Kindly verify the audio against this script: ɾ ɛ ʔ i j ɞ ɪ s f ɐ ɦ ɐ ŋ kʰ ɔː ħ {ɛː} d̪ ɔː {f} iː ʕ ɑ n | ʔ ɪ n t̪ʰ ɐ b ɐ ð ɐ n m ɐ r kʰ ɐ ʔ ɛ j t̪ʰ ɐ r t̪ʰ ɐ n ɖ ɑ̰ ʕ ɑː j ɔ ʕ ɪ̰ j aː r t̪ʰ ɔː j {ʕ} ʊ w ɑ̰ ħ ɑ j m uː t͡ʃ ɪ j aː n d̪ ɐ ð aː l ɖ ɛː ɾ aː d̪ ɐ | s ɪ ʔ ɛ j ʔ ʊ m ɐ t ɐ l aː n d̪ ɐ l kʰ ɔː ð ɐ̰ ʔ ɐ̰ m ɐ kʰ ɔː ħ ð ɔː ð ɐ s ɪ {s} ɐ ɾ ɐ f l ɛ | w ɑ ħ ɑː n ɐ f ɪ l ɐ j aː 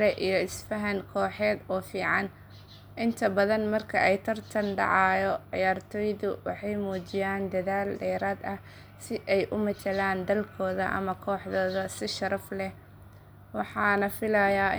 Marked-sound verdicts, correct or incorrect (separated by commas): correct, correct, incorrect, incorrect